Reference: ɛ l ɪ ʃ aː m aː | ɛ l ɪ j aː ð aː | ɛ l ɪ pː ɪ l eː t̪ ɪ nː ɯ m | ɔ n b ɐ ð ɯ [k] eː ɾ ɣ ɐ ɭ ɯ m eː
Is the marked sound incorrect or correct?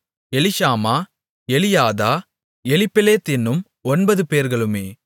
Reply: incorrect